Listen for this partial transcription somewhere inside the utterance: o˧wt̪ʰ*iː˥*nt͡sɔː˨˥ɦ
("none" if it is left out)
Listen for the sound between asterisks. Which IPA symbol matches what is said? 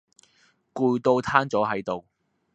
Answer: aː˥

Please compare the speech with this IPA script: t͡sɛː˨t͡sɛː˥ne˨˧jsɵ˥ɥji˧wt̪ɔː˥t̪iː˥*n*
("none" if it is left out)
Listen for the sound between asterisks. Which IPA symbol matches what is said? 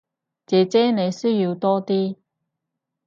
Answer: none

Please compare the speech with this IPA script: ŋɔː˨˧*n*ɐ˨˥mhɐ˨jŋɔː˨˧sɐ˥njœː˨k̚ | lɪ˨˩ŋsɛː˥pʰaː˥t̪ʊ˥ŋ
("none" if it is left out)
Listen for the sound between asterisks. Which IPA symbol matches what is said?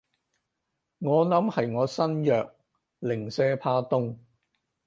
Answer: n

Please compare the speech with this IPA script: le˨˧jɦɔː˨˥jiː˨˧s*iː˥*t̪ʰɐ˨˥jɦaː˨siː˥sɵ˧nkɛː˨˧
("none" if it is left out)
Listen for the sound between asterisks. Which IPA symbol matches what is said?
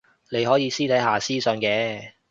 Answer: iː˥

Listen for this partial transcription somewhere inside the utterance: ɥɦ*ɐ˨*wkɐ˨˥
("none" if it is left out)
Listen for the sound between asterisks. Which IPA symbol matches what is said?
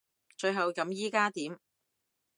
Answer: ɐ˨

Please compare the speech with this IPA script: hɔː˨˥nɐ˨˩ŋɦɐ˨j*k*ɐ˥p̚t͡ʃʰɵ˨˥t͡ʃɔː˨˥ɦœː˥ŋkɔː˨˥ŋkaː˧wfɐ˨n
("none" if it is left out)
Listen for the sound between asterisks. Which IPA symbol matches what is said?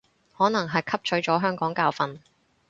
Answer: kʰ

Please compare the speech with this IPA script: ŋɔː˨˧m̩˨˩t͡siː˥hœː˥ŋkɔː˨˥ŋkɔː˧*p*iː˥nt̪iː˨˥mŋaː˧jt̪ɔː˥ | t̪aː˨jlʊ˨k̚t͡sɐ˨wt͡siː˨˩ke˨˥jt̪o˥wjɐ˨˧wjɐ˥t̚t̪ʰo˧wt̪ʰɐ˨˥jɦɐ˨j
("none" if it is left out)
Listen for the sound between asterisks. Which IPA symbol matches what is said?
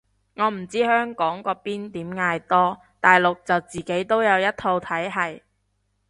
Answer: p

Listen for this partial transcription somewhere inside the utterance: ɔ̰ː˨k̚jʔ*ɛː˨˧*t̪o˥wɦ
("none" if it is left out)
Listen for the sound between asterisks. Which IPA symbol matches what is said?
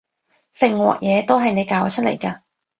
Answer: ɛː˨˧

